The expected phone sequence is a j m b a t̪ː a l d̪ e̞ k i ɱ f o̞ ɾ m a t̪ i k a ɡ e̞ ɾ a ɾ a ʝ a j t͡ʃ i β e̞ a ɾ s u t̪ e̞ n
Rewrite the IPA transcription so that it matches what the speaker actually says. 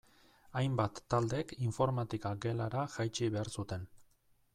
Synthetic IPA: a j m b a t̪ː a l d̪ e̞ k i ɱ f o̞ ɾ m a t̪ i k a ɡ e̞ l a ɾ a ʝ a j t͡ʃ i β e̞ a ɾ s u t̪ e̞ n